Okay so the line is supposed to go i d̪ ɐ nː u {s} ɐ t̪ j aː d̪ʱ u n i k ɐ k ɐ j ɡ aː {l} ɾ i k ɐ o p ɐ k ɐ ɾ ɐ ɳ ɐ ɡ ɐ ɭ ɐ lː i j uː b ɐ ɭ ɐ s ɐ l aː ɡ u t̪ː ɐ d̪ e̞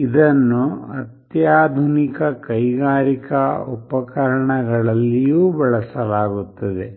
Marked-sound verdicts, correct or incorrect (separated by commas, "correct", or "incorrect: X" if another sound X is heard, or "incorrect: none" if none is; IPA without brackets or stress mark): incorrect: none, incorrect: none